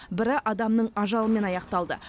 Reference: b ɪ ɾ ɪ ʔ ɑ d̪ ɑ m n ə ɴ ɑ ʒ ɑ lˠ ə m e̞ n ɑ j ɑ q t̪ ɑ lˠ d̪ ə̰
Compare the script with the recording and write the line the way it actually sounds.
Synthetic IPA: b ɪ ɾ ɪ ʔ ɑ d̪ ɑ m n ə ɴ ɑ ʒ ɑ lˠ ə m e̞ n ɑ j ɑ q t̪ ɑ lˠ d̪ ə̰